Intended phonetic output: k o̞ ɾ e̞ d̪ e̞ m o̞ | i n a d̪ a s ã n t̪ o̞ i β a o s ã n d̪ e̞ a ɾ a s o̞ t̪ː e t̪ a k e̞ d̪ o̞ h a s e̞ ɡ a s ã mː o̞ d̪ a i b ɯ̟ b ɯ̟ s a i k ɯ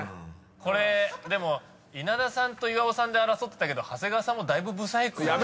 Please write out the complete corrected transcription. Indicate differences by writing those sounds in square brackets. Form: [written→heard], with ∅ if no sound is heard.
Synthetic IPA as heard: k o̞ ɾ e̞ d̪ e̞ m o̞ | i n a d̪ a s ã n t̪ o̞ i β a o s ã n d̪ e̞ a ɾ a s o̞ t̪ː e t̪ a k e̞ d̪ o̞ h a s e̞ ɡ a s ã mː o̞ d̪ a i b ɯ̟ b ɯ̟ s a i k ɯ